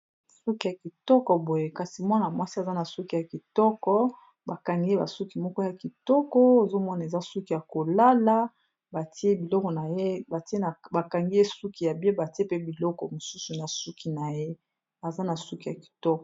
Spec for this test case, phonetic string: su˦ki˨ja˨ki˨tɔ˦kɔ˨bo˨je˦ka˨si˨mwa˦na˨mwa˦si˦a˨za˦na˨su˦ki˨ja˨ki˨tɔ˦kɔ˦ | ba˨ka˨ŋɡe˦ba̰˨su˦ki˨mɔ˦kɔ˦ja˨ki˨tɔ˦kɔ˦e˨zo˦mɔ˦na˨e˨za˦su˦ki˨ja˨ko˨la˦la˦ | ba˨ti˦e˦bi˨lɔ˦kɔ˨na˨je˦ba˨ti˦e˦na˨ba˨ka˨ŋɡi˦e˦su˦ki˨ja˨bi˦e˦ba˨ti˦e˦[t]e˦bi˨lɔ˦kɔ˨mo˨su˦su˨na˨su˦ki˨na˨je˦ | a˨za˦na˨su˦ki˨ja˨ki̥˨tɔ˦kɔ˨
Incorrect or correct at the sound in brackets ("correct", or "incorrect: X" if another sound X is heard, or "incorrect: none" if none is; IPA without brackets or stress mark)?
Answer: incorrect: p